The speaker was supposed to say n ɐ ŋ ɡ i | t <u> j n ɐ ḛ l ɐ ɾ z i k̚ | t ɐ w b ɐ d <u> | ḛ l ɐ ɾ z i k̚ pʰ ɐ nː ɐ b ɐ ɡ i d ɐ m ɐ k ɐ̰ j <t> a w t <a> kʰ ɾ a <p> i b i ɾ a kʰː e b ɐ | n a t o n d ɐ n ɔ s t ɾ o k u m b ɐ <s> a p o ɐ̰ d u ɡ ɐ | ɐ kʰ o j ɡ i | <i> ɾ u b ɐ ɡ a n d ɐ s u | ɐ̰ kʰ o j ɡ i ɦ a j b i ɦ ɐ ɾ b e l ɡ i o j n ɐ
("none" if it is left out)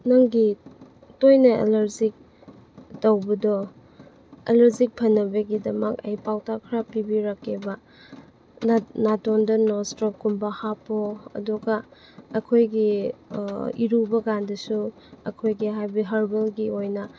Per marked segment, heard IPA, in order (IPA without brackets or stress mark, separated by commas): o, ɔ, p, a, p, h, i